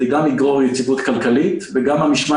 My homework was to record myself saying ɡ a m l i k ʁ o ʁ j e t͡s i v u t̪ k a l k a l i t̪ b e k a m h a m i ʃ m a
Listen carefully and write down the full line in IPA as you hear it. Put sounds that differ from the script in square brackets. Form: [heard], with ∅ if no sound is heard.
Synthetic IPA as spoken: ɡ a m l i [ɡ] ʁ o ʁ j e t͡s i v u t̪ k a l k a l i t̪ [v] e [ɡ] a m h a m i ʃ m a